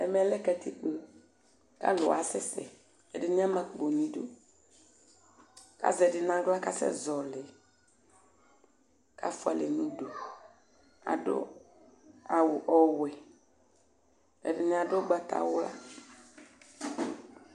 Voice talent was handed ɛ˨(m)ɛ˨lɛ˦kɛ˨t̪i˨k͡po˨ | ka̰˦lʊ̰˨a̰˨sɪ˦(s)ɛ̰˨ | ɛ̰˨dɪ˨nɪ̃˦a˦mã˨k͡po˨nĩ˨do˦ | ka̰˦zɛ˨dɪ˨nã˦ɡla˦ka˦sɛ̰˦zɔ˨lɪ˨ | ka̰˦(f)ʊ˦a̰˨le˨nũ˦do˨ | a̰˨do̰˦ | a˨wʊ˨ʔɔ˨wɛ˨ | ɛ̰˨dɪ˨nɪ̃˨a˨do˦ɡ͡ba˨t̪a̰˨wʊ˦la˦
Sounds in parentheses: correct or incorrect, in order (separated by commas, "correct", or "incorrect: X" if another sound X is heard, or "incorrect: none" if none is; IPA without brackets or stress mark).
correct, correct, correct